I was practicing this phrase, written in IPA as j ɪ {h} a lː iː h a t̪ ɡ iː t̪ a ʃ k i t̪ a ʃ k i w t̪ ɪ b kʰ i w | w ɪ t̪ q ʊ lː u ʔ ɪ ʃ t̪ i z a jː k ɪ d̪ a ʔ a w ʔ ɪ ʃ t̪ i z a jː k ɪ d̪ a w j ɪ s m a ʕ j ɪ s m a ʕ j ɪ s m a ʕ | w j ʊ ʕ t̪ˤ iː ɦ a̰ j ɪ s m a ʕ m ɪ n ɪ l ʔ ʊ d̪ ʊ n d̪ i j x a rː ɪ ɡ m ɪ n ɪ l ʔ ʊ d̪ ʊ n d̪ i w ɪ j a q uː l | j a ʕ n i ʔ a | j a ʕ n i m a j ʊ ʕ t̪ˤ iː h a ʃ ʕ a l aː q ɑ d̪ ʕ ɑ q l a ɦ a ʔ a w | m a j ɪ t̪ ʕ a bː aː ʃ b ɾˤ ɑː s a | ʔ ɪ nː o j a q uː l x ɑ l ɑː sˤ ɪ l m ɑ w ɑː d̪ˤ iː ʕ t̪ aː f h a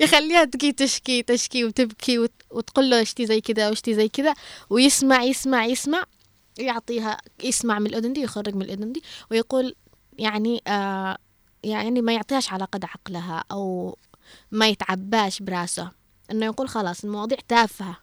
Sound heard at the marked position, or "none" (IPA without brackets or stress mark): x